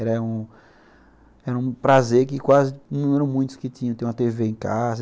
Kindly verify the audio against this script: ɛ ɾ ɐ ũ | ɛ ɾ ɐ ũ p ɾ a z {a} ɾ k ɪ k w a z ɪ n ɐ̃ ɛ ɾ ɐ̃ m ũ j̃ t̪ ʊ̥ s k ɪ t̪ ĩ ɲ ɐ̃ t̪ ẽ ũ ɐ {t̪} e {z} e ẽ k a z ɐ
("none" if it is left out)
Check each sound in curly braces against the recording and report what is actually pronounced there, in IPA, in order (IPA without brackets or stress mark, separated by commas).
e, t̪, v